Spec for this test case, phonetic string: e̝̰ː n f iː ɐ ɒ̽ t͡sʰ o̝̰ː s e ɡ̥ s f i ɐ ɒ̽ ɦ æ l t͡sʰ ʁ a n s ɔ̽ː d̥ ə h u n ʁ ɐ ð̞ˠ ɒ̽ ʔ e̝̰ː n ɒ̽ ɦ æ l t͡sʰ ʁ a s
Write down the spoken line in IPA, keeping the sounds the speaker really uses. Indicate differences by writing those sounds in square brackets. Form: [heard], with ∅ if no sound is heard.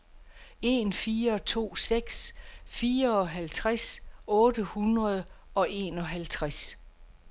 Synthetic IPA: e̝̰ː n f iː ɐ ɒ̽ t͡sʰ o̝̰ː s e ɡ̥ s f [iː] ɐ ɒ̽ ɦ æ l t͡sʰ ʁ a [∅] s ɔ̽ː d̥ ə h u n ʁ ɐ ð̞ˠ ɒ̽ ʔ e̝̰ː n ɒ̽ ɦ æ l t͡sʰ ʁ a s